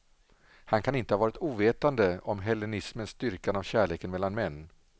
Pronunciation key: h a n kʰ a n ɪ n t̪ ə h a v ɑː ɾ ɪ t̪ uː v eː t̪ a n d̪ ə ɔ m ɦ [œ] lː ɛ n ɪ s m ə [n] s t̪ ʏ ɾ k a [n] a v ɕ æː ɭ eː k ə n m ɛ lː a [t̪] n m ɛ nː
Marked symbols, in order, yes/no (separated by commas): no, yes, yes, no